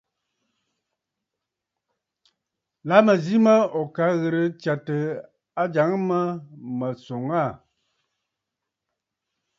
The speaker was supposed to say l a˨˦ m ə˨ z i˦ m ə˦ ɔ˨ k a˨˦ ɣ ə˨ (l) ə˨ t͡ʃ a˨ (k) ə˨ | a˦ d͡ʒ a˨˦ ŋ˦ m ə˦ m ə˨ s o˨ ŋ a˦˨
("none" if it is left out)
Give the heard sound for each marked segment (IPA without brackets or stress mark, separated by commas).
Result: ɾ, t